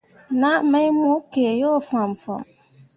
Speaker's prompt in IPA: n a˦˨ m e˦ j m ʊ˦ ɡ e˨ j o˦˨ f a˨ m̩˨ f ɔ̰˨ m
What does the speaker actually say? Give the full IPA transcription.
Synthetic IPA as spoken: n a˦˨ m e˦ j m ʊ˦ k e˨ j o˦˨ f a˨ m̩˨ f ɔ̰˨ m